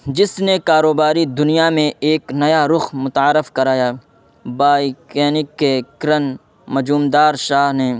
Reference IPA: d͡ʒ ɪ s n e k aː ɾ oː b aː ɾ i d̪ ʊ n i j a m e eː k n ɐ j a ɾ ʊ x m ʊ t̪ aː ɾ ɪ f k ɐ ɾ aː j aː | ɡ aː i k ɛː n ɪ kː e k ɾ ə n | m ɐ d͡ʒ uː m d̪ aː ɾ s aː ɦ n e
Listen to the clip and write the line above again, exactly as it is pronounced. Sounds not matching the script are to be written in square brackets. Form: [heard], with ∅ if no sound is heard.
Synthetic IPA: d͡ʒ ɪ s n e k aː ɾ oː b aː ɾ i d̪ ʊ n i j a m [ẽ] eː k n ɐ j a ɾ ʊ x m ʊ t̪ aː ɾ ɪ f k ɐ ɾ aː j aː | [b] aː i k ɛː n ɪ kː e k ɾ ə n | m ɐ d͡ʒ uː m d̪ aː ɾ [ʃ] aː ɦ n e

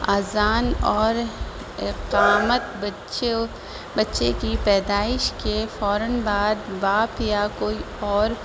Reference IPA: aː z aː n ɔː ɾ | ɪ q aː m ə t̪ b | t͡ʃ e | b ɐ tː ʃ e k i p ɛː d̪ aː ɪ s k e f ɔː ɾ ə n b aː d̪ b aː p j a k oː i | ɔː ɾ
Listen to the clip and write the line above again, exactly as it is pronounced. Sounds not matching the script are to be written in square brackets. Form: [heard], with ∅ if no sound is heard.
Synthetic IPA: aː z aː n ɔː ɾ | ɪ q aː m ə t̪ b | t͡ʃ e | b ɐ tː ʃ e k i p ɛː d̪ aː ɪ [ʃ] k e f ɔː ɾ ə n b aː d̪ b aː p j a k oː i | ɔː ɾ

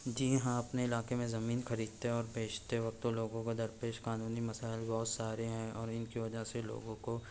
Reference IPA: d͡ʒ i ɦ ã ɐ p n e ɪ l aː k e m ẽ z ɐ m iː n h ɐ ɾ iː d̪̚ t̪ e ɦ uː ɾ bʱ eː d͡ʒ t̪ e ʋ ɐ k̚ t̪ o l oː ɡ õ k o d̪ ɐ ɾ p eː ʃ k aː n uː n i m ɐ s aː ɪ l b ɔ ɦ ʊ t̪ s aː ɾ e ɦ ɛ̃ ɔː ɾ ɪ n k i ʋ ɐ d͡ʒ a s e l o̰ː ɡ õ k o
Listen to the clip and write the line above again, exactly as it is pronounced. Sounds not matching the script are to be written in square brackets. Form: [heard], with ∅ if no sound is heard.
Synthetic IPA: d͡ʒ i ɦ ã ɐ p n e ɪ l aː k e m ẽ z ɐ m iː n [x] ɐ ɾ iː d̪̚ t̪ e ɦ [ɔː] ɾ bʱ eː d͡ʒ t̪ e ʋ ɐ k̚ t̪ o l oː ɡ õ k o d̪ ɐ ɾ p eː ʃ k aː n uː n i m ɐ s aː ɪ l b ɔ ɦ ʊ t̪ s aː ɾ e ɦ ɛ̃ ɔː ɾ ɪ n k i ʋ ɐ d͡ʒ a s e l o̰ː ɡ õ k o

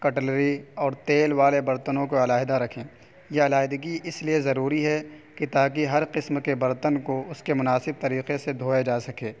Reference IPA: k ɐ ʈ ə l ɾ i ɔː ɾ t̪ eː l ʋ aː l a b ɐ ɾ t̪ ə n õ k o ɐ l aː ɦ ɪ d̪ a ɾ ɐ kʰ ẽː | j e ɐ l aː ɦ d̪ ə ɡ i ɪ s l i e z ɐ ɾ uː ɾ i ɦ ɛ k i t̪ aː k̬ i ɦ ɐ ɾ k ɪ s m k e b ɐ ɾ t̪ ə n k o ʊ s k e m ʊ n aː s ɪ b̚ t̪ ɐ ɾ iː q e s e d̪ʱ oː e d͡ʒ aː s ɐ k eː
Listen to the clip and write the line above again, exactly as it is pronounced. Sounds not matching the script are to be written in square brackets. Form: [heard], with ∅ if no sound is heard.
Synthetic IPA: k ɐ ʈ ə l ɾ i ɔː ɾ t̪ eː l ʋ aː l [e] b ɐ ɾ t̪ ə n õ k o ɐ l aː ɦ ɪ d̪ a ɾ ɐ kʰ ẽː | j e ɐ l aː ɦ d̪ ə ɡ i ɪ s l i e z ɐ ɾ uː ɾ i ɦ ɛ k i t̪ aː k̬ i ɦ ɐ ɾ [q] ɪ s m k e b ɐ ɾ t̪ ə n k o ʊ s k e m ʊ n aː s ɪ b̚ t̪ ɐ ɾ iː q e s e d̪ʱ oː e d͡ʒ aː s ɐ k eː

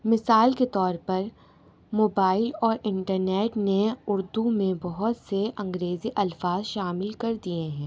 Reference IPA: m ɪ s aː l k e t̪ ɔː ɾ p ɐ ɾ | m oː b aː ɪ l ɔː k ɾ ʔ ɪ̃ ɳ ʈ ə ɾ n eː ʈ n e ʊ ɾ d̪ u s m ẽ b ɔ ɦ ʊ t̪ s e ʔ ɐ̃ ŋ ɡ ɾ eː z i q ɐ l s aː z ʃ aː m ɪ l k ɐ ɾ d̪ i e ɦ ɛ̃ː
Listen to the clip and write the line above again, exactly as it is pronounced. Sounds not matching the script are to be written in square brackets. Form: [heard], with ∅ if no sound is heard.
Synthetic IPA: m ɪ s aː l k e t̪ ɔː ɾ p ɐ ɾ | m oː b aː ɪ l ɔː [∅] ɾ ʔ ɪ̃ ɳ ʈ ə ɾ n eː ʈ n e ʊ ɾ d̪ u [∅] m ẽ b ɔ ɦ ʊ t̪ s e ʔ ɐ̃ ŋ ɡ ɾ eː z i [ʔ] ɐ l [f] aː z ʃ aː m ɪ l k ɐ ɾ d̪ i e ɦ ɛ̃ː

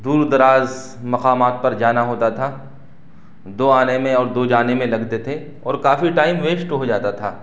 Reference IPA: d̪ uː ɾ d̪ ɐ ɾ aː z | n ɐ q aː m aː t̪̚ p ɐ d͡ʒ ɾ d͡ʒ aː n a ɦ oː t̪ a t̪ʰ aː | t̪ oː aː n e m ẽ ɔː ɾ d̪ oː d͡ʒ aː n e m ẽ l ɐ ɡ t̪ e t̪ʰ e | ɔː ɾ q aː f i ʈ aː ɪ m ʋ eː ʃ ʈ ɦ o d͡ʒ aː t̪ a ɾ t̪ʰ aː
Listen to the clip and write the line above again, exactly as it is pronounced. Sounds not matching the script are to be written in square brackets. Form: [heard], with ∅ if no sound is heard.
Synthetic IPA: d̪ uː ɾ d̪ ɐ ɾ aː z | [m] ɐ q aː m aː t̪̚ p ɐ [∅] ɾ d͡ʒ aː n a ɦ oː t̪ a t̪ʰ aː | [d̪] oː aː n e m ẽ ɔː ɾ d̪ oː d͡ʒ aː n e m ẽ l ɐ ɡ t̪ e t̪ʰ e | ɔː ɾ [k] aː f i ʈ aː ɪ m ʋ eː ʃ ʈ ɦ o d͡ʒ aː t̪ a [∅] t̪ʰ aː

